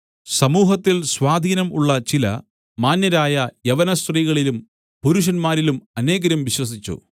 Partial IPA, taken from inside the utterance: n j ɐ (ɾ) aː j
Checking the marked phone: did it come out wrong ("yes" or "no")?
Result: no